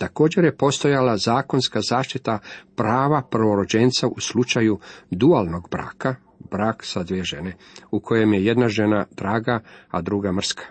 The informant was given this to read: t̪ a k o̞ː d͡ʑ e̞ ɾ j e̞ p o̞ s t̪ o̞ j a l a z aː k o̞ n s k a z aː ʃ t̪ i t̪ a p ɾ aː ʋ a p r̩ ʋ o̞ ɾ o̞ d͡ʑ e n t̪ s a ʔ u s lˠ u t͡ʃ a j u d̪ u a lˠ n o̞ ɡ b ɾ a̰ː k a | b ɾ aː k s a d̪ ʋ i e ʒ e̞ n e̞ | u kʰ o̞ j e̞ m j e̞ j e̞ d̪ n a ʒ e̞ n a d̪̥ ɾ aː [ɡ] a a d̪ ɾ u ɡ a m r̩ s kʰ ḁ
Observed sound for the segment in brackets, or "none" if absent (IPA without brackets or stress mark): ɡ